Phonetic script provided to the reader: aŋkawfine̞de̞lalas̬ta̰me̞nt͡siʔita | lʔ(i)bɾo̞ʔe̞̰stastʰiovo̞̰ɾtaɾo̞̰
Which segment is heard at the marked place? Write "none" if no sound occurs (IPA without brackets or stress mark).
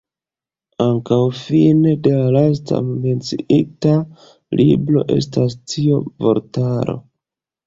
i